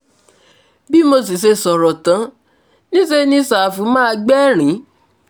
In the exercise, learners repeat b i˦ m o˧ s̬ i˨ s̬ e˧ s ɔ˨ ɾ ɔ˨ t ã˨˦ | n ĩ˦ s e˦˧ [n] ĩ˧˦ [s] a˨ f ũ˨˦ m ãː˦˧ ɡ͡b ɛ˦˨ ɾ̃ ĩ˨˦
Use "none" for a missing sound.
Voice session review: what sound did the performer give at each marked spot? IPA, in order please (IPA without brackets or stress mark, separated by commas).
n, s